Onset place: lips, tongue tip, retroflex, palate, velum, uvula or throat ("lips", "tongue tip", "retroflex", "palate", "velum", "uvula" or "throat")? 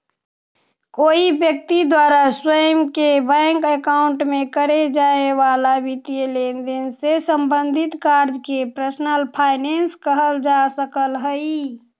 velum